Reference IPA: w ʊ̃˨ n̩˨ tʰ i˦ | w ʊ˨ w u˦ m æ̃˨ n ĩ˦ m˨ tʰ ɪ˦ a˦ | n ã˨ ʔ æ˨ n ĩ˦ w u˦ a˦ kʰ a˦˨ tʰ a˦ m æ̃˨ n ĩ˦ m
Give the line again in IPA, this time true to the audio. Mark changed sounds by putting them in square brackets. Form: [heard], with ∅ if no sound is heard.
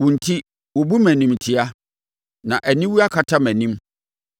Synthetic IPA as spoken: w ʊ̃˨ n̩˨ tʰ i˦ | w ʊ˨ [b] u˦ m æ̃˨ n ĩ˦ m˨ tʰ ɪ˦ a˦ | n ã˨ ʔ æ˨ n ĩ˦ w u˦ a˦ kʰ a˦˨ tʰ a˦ m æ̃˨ n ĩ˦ m